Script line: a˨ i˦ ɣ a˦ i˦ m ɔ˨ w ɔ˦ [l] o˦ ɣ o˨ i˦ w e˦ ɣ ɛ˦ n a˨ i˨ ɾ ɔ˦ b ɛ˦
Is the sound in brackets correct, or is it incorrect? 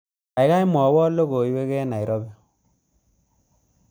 correct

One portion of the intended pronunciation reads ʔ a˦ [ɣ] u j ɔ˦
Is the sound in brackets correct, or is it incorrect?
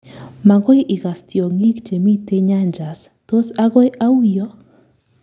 incorrect: none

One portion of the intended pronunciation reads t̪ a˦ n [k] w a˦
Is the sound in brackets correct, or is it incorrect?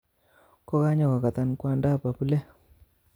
correct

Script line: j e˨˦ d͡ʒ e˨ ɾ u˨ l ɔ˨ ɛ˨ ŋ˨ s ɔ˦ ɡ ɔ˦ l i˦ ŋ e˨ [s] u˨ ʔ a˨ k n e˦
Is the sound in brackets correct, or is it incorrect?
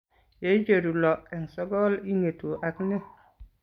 incorrect: t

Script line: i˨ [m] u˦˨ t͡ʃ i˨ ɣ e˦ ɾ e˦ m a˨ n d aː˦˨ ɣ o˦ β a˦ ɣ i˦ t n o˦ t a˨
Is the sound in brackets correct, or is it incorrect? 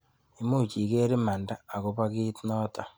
correct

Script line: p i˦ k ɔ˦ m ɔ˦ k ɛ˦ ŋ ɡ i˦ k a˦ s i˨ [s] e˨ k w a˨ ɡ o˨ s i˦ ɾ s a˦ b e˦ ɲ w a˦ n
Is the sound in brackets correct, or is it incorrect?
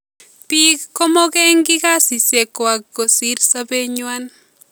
correct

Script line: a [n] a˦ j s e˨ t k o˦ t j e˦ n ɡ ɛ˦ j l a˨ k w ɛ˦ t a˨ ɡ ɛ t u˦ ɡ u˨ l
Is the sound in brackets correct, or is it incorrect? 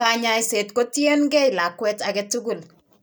incorrect: ɲ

